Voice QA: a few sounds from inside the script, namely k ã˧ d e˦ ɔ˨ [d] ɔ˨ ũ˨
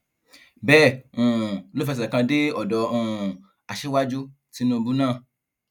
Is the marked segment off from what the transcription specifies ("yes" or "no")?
no